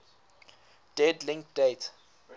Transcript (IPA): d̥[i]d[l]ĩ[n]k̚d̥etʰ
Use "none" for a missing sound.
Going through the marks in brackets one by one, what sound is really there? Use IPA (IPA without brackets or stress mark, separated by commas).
ɛ, l, ŋ